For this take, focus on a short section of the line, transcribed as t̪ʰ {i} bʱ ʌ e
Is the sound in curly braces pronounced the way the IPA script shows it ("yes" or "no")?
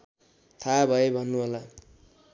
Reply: no